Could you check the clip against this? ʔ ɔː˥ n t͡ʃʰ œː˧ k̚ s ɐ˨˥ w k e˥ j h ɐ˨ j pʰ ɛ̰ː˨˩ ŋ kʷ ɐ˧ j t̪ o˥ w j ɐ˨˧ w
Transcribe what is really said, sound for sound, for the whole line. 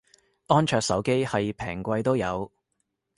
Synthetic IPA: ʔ ɔː˥ n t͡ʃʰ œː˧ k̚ s ɐ˨˥ w k e˥ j h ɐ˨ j pʰ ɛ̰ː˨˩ ŋ kʷ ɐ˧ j t̪ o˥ w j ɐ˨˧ w